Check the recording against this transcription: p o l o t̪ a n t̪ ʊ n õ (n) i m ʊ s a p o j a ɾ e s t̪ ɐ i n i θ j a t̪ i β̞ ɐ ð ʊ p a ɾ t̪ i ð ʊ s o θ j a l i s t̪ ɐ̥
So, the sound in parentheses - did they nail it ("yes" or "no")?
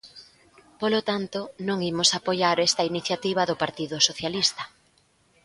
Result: no